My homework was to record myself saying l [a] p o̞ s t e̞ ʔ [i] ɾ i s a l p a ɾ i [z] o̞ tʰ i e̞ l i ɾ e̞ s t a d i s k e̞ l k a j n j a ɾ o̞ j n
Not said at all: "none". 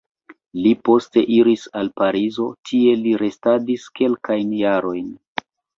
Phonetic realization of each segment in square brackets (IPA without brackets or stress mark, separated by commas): i, i, z